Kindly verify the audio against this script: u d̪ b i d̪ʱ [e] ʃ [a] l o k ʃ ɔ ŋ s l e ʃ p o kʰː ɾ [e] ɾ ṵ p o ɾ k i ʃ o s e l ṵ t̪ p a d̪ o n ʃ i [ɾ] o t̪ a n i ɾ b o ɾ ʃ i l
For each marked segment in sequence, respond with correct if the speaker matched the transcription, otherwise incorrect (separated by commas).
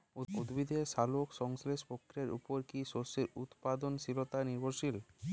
correct, correct, correct, incorrect